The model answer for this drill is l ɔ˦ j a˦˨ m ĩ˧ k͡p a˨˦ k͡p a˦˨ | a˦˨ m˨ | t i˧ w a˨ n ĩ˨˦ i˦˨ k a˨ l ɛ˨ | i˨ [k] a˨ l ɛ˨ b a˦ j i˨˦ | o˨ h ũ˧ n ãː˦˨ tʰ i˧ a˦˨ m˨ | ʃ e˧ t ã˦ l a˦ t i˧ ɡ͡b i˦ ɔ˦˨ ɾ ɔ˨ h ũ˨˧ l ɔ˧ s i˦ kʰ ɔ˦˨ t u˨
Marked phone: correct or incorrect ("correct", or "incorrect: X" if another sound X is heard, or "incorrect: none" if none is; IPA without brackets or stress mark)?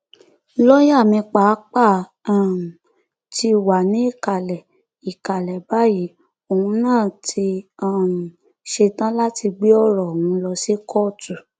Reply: correct